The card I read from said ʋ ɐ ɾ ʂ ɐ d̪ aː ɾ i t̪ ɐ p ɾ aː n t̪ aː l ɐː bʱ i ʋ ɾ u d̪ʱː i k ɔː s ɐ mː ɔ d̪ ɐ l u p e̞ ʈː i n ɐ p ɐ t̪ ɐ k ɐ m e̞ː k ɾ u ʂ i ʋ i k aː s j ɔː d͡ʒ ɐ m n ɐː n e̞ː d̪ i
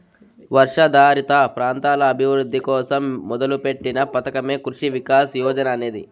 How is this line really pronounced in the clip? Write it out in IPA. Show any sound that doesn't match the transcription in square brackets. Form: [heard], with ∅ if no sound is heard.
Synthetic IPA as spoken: ʋ ɐ ɾ ʂ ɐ d̪ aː ɾ i t̪ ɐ p ɾ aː n t̪ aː l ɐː bʱ i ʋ ɾ u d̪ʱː i k ɔː s ɐ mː ɔ d̪ ɐ l u p e̞ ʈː i n ɐ p ɐ t̪ ɐ k ɐ m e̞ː k ɾ u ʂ i ʋ i k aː s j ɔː d͡ʒ ɐ [∅] n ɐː n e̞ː d̪ i